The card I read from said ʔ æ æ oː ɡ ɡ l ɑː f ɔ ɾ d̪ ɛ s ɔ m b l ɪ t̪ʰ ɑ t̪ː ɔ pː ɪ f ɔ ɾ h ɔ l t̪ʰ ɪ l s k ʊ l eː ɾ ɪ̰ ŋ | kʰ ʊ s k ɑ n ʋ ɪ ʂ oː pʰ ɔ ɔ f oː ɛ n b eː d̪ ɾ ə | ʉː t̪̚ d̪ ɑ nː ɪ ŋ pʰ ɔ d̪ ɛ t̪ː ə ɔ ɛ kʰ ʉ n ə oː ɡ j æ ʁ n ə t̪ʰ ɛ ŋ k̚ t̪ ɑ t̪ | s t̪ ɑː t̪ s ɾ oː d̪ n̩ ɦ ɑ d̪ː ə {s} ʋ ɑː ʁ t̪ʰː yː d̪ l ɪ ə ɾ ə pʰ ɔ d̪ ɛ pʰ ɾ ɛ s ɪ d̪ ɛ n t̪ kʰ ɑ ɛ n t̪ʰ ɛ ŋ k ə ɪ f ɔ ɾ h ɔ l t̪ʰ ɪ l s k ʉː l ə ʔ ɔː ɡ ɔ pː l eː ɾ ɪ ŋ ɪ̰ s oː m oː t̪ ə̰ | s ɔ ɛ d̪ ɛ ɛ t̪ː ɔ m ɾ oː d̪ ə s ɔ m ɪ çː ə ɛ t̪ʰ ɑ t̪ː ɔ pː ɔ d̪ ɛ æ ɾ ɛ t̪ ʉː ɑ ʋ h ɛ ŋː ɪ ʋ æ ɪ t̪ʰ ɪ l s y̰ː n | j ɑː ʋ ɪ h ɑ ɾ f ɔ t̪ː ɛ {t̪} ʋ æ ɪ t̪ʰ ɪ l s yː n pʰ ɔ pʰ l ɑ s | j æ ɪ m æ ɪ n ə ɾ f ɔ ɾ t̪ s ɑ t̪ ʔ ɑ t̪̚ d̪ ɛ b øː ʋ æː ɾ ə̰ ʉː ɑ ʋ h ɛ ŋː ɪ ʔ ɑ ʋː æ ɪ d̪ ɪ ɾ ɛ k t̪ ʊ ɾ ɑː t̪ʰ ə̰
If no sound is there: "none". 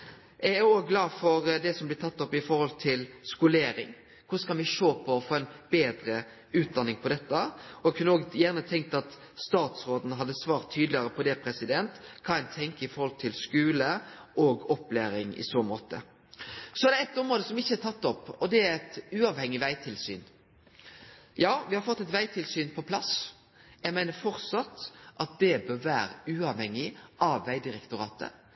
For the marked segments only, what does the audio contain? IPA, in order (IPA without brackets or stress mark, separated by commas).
s, t̪